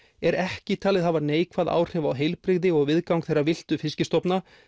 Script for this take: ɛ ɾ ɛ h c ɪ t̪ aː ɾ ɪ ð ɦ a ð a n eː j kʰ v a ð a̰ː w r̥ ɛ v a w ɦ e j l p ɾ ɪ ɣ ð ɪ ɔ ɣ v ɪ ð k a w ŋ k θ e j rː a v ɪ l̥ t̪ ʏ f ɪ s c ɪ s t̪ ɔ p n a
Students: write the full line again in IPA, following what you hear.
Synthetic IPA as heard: ɛ ɾ ɛ h c ɪ t̪ʰ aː l ɪ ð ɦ a v a n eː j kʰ v a ð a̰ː w r̥ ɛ v a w ɦ e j l p ɾ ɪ ɣ ð ɪ ɔ ɣ v ɪ ð k a w ŋ k θ e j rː a v ɪ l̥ t̪ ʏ f ɪ s c ɪ s t̪ ɔ p n a